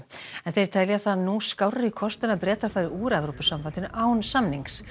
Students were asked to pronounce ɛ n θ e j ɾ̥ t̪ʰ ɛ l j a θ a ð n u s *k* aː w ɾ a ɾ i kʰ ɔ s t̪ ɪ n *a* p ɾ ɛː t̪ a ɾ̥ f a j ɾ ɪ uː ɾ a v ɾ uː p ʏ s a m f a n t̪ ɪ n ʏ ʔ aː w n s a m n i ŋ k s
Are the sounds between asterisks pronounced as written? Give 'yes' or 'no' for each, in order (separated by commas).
yes, yes